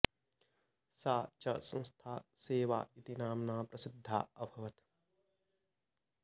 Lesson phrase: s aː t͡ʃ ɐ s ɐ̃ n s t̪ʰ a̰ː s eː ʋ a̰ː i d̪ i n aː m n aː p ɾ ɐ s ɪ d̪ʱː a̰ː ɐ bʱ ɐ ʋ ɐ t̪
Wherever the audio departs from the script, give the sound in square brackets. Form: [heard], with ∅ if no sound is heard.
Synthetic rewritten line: s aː t͡ʃ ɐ s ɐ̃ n s t̪ʰ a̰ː s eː ʋ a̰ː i [t̪] i n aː m n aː p ɾ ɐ s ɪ d̪ʱː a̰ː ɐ bʱ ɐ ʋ ɐ t̪